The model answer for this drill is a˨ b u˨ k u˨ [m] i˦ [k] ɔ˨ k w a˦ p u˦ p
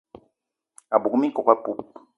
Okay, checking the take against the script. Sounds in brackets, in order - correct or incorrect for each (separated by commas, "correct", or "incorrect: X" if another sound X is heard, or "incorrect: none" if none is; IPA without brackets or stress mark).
correct, correct